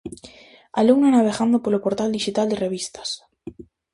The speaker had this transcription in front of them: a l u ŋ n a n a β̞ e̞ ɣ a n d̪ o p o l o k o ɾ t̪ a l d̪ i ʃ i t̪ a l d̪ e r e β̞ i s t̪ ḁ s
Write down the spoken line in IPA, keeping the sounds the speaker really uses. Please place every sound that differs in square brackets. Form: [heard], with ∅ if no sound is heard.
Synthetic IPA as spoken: a l u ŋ n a n a β̞ e̞ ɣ a n d̪ o p o l o [p] o ɾ t̪ a l d̪ i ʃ i t̪ a l d̪ e r e β̞ i s t̪ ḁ s